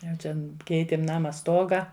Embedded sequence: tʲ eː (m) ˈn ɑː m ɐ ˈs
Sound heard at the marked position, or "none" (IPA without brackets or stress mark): m